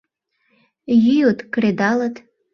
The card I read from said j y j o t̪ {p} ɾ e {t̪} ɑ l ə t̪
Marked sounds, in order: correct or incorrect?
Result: incorrect: k, incorrect: d̪

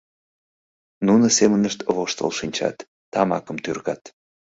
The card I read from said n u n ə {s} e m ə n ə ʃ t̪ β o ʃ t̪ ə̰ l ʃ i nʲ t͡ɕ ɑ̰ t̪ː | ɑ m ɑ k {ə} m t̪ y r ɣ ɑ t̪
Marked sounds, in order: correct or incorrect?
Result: correct, correct

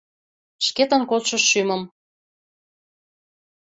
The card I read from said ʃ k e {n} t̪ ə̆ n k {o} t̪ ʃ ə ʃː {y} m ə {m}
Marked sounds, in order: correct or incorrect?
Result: incorrect: none, correct, correct, correct

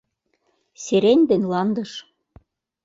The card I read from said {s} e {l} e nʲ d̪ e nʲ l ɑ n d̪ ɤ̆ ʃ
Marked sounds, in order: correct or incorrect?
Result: correct, incorrect: ɾ

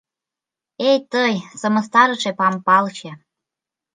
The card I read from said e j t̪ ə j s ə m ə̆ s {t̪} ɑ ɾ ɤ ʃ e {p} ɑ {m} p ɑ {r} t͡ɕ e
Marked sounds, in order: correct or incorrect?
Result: correct, correct, correct, incorrect: l

